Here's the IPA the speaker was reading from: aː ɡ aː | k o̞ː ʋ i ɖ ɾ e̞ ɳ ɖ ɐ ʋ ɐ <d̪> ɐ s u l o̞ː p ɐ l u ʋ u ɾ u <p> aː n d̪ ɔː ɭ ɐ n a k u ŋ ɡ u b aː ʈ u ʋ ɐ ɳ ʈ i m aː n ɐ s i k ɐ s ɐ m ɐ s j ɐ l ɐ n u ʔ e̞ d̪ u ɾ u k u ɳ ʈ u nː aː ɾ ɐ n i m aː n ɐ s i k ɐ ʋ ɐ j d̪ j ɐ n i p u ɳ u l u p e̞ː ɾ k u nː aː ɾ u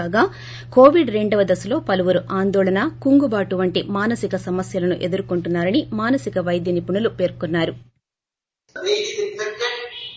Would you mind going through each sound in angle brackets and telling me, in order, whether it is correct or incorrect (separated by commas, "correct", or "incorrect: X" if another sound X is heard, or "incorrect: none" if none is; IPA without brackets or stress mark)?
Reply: correct, incorrect: ʔ